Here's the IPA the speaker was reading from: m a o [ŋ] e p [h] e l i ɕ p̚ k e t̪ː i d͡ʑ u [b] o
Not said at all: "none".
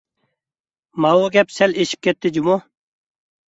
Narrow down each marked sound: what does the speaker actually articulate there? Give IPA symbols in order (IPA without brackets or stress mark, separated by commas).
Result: ɡ, s, m